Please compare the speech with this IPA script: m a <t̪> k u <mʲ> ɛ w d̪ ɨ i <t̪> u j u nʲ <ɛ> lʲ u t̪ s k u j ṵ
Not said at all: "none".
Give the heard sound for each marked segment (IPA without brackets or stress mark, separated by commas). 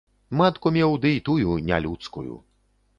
t̪, mʲ, t̪, a